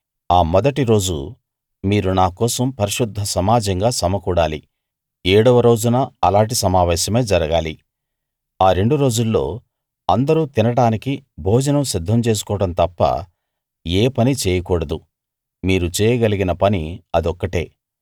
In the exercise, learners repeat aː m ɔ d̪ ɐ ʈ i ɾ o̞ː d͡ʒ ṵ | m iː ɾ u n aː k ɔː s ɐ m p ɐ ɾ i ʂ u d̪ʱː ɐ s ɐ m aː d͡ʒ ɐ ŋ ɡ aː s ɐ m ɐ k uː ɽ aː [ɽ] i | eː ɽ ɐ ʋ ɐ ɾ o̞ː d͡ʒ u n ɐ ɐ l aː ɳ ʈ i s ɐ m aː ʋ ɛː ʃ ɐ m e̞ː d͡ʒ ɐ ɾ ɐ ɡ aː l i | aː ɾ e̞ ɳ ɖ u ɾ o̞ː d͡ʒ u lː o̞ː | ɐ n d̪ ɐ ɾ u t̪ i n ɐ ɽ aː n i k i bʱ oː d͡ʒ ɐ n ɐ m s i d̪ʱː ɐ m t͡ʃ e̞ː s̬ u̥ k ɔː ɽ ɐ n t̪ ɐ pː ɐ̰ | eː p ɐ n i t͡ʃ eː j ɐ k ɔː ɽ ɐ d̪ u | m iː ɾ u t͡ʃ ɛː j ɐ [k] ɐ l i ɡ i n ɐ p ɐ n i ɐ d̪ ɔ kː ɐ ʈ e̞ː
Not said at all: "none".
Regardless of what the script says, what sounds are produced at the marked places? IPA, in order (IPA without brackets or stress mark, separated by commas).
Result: l, ɡ